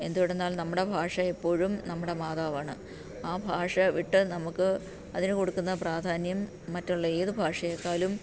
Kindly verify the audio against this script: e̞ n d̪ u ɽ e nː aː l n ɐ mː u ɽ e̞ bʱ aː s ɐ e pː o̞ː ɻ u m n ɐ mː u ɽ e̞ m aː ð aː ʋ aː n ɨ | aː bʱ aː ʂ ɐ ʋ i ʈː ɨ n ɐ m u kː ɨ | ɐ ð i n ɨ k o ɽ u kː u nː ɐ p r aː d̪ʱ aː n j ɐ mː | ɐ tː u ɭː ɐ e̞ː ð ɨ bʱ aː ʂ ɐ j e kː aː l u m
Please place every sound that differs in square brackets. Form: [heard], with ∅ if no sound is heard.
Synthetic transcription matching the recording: e̞ n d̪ u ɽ e nː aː l n ɐ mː u ɽ e̞ bʱ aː [ʂ] ɐ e pː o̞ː ɻ u m n ɐ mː u ɽ e̞ m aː ð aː ʋ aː [ɳ] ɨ | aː bʱ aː ʂ ɐ ʋ i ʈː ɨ n ɐ m u kː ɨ | ɐ ð i n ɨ k o ɽ u kː u nː ɐ p r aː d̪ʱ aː n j ɐ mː | ɐ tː u ɭː ɐ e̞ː ð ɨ bʱ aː ʂ ɐ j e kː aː l u m